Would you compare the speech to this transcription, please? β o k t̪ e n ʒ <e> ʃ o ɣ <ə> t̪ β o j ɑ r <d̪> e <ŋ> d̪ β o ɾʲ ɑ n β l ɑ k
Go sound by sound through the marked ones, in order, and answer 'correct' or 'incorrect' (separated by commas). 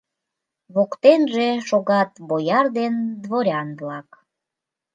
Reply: correct, incorrect, correct, incorrect